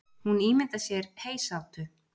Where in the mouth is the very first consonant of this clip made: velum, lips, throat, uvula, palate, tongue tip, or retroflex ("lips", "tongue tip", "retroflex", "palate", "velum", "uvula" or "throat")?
throat